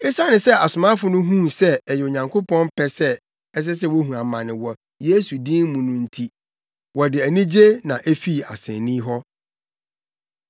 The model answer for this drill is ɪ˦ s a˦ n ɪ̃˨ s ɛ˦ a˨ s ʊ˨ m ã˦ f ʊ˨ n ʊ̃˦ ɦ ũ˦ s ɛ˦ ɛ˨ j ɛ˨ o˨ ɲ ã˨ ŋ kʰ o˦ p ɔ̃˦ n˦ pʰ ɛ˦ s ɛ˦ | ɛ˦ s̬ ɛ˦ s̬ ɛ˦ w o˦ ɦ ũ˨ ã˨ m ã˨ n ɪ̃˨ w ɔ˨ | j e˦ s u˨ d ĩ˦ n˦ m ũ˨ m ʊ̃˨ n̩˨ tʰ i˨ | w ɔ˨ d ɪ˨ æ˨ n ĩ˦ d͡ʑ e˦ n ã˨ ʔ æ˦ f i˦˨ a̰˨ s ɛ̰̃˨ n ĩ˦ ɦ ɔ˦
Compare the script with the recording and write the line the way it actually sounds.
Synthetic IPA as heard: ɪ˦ s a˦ n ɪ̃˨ s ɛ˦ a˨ s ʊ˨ m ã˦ f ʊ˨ n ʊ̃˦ ɦ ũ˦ s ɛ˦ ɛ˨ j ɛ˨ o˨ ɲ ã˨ ŋ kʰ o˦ p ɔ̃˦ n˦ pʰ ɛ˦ s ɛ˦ | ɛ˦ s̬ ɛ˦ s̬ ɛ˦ w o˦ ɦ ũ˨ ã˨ m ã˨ n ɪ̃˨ w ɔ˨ | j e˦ s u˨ d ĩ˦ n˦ m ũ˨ n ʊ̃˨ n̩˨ tʰ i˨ | w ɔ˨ d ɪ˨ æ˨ n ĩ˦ d͡ʑ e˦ n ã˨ ʔ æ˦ f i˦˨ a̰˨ s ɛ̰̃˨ n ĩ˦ ɦ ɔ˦